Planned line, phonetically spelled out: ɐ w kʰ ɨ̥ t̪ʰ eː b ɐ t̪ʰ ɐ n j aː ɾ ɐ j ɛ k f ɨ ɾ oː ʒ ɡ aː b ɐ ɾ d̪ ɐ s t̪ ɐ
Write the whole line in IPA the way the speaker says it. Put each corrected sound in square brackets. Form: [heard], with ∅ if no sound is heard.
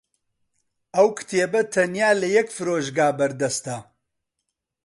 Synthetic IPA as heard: ɐ w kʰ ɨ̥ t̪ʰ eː b ɐ t̪ʰ ɐ n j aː [l] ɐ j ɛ k f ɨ ɾ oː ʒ ɡ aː b ɐ ɾ d̪ ɐ s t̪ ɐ